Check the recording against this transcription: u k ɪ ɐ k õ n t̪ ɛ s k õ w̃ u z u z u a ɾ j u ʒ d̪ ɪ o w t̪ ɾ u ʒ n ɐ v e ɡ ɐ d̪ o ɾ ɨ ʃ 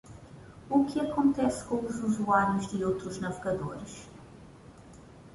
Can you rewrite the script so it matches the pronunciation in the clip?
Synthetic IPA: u k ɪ ɐ k õ n t̪ ɛ s k õ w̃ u z u z u a ɾ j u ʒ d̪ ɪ o w t̪ ɾ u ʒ n ɐ v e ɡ ɐ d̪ o ɾ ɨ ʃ